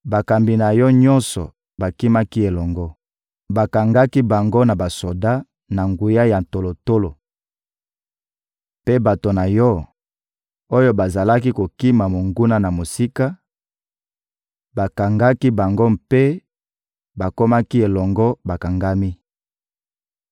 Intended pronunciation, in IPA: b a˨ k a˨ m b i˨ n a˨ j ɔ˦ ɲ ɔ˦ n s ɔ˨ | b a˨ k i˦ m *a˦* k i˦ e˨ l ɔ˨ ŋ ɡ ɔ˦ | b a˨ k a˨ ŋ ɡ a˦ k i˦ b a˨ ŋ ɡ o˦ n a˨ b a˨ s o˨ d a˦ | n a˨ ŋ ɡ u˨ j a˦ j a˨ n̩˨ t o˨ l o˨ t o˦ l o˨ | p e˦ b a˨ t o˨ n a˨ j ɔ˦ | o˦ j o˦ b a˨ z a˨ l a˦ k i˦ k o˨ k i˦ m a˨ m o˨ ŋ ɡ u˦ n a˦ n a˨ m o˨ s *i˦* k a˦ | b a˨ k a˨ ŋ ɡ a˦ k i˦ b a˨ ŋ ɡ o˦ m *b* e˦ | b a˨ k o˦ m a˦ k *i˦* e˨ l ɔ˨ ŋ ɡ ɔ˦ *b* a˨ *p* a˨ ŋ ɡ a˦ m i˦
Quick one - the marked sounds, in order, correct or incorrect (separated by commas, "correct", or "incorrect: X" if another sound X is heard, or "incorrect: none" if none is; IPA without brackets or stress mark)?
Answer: correct, correct, incorrect: p, correct, correct, incorrect: k